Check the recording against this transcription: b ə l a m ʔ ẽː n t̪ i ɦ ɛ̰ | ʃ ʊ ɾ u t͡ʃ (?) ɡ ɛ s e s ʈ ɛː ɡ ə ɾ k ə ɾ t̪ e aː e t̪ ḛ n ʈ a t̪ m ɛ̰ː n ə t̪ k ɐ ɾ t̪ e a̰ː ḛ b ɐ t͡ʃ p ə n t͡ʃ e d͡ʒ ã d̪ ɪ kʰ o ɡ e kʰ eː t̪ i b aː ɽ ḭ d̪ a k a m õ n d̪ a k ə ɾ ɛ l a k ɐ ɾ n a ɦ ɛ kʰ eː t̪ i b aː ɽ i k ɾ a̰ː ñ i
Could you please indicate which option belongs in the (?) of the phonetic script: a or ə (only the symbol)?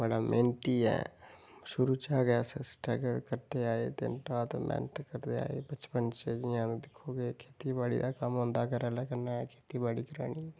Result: a